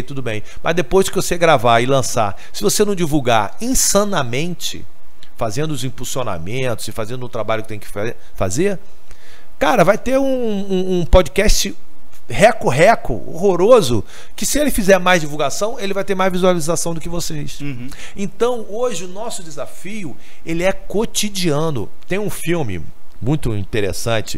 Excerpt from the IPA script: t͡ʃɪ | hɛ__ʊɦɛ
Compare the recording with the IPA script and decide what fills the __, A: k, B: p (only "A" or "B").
A